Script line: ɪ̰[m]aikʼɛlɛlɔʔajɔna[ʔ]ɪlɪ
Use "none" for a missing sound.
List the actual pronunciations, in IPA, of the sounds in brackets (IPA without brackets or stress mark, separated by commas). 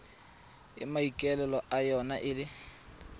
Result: m, ʔ